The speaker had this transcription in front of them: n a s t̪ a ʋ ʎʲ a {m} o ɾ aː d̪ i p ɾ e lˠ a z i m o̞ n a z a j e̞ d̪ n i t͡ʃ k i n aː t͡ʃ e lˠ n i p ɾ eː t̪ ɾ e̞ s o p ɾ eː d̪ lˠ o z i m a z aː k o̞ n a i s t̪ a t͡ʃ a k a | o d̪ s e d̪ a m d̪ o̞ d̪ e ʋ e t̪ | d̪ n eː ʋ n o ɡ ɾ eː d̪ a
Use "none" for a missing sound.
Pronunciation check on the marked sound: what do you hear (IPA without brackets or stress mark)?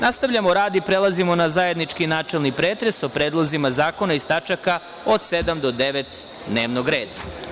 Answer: m